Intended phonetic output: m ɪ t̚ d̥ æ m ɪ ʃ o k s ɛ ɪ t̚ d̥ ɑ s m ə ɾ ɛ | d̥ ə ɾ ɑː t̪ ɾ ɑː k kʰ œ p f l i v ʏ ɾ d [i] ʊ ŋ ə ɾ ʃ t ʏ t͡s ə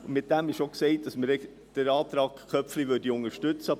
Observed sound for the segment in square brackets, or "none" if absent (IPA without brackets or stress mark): i